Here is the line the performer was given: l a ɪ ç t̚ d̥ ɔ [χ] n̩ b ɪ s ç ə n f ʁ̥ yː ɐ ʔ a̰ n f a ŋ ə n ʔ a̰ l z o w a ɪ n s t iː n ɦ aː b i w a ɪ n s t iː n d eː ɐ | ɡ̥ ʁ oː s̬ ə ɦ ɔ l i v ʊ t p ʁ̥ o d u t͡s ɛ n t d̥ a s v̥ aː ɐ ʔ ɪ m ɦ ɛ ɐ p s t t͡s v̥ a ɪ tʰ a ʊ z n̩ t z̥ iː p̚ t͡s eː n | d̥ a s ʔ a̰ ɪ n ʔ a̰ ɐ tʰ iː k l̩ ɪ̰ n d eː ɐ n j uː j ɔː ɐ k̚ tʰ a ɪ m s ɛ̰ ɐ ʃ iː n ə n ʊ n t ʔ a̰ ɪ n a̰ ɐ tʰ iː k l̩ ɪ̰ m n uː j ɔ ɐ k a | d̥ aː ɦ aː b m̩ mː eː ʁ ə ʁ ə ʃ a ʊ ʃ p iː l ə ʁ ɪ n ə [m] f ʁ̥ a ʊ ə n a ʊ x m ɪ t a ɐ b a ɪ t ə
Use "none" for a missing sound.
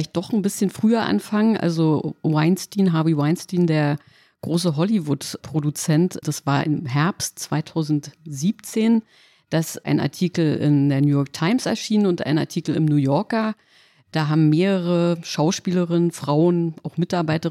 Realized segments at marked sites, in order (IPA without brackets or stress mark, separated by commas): χ, n